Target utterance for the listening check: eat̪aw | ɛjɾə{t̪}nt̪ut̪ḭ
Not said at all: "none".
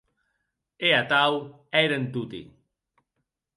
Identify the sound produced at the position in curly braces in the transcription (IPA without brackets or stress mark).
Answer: none